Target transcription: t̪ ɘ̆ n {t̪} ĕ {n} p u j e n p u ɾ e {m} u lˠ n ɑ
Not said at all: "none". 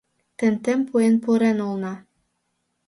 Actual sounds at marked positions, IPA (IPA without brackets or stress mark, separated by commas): t̪, m, n